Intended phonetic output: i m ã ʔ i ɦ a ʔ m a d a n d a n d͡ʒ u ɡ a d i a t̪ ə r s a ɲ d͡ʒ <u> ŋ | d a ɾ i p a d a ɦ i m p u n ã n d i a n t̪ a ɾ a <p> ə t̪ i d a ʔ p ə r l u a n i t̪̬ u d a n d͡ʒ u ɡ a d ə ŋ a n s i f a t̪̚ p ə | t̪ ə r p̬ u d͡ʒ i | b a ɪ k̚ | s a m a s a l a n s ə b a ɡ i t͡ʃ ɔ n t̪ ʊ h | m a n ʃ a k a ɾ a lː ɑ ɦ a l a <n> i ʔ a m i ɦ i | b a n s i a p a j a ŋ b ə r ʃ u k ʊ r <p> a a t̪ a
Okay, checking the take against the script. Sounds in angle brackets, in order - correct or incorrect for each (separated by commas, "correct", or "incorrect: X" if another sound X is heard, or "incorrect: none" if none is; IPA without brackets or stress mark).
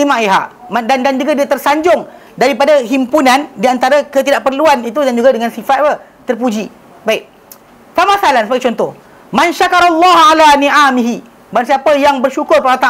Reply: incorrect: ʊ, incorrect: k, correct, correct